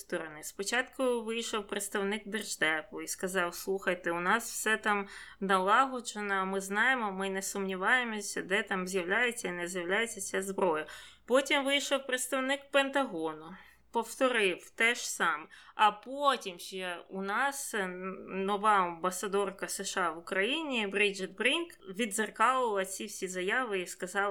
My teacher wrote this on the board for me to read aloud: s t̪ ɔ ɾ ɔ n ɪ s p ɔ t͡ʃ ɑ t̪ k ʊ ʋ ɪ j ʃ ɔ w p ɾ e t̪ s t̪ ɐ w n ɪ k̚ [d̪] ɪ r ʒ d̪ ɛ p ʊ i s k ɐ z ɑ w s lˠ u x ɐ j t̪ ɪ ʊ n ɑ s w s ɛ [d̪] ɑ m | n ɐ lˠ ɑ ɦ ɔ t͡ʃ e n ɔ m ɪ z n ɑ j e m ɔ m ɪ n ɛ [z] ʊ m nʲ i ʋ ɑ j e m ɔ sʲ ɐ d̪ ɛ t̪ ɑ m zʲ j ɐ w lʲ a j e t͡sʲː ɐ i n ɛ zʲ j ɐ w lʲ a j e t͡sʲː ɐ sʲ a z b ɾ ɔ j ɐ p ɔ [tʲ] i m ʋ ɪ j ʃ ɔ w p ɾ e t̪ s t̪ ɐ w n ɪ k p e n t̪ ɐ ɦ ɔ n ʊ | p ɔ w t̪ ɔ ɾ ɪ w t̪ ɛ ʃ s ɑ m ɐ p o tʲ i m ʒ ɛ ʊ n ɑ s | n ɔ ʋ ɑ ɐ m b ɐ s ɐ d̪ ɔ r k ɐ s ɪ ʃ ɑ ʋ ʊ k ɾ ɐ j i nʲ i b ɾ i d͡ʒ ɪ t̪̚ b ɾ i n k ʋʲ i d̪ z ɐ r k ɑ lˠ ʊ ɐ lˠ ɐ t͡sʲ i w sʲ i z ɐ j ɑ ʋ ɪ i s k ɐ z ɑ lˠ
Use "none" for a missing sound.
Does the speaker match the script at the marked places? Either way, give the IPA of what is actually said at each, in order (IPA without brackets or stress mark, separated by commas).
d̪, t̪, s, tʲ